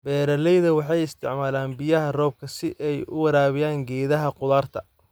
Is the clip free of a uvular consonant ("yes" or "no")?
no